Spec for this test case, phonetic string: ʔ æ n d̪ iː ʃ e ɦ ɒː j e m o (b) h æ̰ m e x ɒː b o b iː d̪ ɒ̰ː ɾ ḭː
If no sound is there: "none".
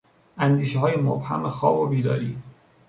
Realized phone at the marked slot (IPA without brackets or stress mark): b